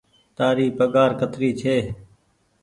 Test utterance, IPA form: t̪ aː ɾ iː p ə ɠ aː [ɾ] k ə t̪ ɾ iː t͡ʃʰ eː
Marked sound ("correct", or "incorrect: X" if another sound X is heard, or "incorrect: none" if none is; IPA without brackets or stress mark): correct